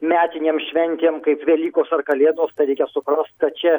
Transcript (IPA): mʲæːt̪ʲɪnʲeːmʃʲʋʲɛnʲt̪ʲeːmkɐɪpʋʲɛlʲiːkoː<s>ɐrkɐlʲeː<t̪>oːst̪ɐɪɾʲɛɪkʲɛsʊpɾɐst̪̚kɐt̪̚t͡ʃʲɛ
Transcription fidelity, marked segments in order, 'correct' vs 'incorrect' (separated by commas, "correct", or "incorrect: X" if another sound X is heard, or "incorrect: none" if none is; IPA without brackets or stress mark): correct, incorrect: d̪